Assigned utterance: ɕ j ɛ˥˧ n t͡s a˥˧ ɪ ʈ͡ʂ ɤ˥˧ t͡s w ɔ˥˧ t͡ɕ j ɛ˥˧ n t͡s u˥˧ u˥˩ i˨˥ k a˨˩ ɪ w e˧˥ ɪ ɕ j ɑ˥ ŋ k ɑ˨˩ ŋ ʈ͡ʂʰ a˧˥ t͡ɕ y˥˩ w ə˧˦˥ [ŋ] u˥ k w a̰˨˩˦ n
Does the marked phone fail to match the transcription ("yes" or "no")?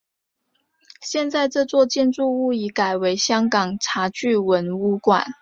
yes